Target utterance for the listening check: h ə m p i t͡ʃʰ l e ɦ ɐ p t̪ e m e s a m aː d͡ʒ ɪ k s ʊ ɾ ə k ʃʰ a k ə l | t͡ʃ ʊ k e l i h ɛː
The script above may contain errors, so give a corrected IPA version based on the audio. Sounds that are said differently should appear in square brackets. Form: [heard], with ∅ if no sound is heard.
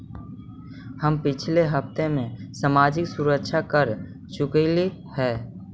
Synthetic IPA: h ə m p [ɪ] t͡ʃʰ l e ɦ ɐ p t̪ e m [ẽ] s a m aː d͡ʒ ɪ k s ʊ ɾ ə k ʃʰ a k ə [ɾ] | t͡ʃ ʊ k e l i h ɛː